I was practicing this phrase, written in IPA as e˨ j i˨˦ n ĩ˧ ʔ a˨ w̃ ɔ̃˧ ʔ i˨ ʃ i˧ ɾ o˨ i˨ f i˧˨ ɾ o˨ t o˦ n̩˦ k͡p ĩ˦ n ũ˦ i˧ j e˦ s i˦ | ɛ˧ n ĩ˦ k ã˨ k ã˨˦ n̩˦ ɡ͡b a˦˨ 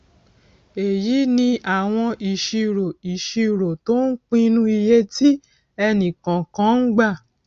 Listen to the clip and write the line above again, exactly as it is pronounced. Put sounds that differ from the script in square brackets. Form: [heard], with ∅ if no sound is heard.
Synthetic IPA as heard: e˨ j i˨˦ n ĩ˧ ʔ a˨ w̃ ɔ̃˧ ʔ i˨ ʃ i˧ ɾ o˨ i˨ [ʃ] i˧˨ ɾ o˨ t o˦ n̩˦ k͡p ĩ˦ n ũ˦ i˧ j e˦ [t] i˦ | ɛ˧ n [ĩ˨] k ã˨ k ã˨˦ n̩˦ ɡ͡b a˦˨

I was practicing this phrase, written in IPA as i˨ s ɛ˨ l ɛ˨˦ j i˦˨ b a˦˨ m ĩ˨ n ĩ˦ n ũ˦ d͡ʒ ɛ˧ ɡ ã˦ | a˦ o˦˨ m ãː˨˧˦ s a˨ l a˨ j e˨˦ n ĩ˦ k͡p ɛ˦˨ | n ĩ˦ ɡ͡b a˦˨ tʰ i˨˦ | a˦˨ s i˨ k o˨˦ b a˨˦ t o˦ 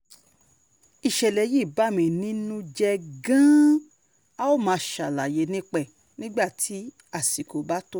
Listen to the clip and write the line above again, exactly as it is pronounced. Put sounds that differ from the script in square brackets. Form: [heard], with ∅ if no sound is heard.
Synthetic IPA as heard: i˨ [ʃ] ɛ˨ l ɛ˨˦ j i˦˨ b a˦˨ m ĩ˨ n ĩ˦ n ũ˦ d͡ʒ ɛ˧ ɡ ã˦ | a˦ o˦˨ m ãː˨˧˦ [ʃ] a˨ l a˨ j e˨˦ n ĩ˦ k͡p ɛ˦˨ | n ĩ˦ ɡ͡b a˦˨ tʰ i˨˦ | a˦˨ s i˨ k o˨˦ b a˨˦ t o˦

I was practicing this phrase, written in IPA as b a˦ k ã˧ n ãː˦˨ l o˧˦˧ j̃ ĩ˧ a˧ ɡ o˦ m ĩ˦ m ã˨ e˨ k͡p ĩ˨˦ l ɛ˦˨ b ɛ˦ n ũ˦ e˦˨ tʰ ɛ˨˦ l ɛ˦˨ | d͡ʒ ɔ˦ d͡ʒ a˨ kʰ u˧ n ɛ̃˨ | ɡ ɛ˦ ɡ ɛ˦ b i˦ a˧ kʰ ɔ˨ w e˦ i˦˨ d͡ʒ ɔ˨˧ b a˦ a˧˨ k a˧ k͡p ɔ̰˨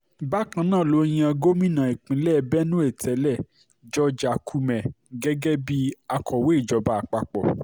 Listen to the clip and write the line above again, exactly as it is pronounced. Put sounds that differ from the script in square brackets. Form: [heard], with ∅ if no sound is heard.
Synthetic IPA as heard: b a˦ k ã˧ n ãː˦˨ l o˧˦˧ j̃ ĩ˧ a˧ ɡ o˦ m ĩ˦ [n] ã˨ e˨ k͡p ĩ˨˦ l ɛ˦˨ b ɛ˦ n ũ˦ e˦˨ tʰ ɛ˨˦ l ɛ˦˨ | d͡ʒ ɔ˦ d͡ʒ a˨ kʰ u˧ [m] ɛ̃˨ | ɡ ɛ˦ ɡ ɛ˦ b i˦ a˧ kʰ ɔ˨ w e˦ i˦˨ d͡ʒ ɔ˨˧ b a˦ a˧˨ [k͡p] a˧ k͡p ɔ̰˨

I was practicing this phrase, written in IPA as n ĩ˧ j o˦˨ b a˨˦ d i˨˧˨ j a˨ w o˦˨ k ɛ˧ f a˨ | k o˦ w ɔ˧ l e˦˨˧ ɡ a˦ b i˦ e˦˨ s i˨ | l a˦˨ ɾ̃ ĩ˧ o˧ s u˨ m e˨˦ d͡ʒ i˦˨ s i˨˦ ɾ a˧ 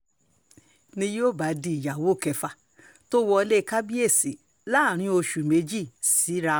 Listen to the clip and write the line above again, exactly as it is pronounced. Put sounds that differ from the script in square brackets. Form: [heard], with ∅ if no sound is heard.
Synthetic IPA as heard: n ĩ˧ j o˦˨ b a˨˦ d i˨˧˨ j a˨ w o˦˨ k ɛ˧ f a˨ | [t] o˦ w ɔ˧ l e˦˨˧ [k] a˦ b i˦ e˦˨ s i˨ | l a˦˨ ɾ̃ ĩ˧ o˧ [ʃ] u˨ m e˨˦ d͡ʒ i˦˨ s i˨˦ ɾ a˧

